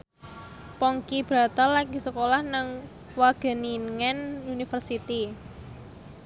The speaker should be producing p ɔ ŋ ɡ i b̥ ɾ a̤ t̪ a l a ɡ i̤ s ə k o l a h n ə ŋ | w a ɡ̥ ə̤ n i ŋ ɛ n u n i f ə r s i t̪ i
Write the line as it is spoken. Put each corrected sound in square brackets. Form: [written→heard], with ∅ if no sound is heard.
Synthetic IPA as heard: p ɔ ŋ [ɡ→k] i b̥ ɾ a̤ t̪ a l a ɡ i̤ s ə k o l a h n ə ŋ | w a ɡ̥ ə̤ n i ŋ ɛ n u n i f ə r s i t̪ i